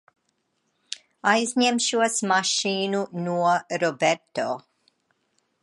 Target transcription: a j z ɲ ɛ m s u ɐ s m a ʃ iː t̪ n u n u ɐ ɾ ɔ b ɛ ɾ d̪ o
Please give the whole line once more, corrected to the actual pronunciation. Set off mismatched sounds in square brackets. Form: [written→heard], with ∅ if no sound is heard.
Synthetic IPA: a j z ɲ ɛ m [s→ʃ] u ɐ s m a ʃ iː [t̪→∅] n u n u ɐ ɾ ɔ b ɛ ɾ [d̪→t̪] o

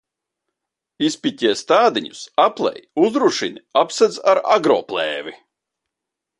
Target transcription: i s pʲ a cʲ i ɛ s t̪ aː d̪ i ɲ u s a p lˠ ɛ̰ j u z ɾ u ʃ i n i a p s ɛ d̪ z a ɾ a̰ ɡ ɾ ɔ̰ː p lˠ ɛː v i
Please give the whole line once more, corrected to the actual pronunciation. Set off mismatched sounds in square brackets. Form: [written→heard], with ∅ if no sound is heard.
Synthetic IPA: i s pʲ [a→i] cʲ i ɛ s t̪ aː d̪ i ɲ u s a p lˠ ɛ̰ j u z ɾ u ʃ i n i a p s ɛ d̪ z a ɾ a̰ ɡ ɾ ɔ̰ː p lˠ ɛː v i

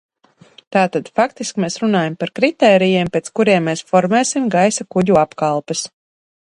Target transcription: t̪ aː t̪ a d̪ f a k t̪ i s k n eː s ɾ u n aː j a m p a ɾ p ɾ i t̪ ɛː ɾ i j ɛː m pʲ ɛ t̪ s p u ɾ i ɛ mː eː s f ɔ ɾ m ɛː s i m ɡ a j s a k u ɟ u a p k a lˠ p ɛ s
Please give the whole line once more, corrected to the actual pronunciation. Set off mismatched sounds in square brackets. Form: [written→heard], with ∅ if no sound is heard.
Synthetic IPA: t̪ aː t̪ a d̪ f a k t̪ i s k [n→m] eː s ɾ u n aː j a m p a ɾ [p→k] ɾ i t̪ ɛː ɾ i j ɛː m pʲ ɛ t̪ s [p→k] u ɾ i ɛ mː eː s f ɔ ɾ m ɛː s i m ɡ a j s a k u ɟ u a p k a lˠ p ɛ s

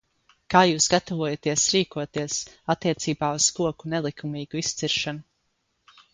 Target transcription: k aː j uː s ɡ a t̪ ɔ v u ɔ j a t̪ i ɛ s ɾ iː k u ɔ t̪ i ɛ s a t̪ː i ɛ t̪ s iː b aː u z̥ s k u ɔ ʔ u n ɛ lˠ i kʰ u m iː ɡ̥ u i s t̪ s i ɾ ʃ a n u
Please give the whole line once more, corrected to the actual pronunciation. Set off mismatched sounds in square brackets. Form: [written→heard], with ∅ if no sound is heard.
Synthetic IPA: k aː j uː s ɡ a t̪ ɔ v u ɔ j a t̪ i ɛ s ɾ iː k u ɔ t̪ i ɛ s a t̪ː i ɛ t̪ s iː b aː u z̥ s k u ɔ [ʔ→k] u n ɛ lˠ i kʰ u m iː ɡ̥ u i s t̪ s i ɾ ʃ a n u

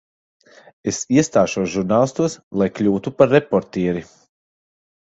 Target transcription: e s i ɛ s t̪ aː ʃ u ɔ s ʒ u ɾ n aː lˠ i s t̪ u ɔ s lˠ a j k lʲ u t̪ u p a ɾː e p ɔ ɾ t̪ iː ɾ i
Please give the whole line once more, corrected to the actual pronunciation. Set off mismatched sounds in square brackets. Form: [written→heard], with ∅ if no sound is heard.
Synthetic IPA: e s i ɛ s t̪ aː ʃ u ɔ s ʒ u ɾ n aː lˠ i s t̪ u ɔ s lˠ a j k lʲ [u→uː] t̪ u p a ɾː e p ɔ ɾ t̪ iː ɾ i

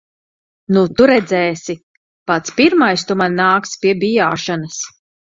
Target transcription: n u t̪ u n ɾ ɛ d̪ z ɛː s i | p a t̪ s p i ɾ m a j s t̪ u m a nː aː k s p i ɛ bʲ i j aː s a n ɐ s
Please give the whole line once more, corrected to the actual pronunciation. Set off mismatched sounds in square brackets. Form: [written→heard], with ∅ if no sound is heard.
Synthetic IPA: n u t̪ u [n→∅] ɾ ɛ d̪ z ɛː s i | p a t̪ s p i ɾ m a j s t̪ u m a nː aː k s p i ɛ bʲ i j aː [s→ʃ] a n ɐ s

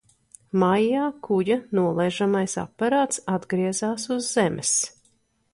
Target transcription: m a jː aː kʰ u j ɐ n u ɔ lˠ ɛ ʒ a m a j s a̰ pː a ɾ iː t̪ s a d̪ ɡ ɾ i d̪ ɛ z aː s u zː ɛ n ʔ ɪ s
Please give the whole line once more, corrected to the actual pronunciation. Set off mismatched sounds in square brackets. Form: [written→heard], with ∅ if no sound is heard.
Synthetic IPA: m a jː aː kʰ u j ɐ n u ɔ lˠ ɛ ʒ a m a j s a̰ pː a ɾ [iː→aː] t̪ s a d̪ ɡ ɾ i [d̪→∅] ɛ z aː s u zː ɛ [n→m] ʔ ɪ s

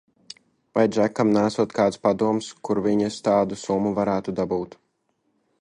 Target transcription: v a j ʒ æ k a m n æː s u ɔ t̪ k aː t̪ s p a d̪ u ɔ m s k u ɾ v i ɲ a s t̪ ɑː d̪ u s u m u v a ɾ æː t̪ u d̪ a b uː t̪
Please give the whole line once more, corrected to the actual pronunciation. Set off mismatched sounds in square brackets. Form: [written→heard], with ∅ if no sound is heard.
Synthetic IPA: v a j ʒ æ k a m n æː s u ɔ t̪ k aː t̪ s p a d̪ u ɔ m s k u ɾ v i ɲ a s t̪ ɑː d̪ u s u m u v a ɾ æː t̪ u d̪ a b uː t̪

